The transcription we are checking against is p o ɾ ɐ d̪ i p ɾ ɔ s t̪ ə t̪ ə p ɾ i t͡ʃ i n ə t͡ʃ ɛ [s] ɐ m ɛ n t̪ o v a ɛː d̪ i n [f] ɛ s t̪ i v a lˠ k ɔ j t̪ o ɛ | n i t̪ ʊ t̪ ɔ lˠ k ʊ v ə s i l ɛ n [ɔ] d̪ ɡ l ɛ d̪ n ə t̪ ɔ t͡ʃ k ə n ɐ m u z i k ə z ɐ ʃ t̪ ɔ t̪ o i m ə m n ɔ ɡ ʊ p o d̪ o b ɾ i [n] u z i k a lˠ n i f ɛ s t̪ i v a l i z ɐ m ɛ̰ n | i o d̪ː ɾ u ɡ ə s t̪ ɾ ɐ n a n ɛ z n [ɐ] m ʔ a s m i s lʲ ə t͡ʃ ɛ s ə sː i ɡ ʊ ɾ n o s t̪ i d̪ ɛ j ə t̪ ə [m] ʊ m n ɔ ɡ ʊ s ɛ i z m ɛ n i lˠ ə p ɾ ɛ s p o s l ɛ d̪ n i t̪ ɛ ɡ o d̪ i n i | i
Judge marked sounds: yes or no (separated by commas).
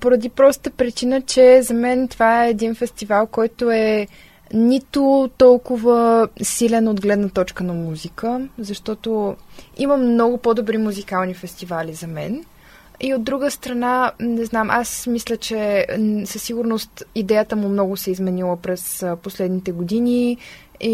no, yes, no, no, no, yes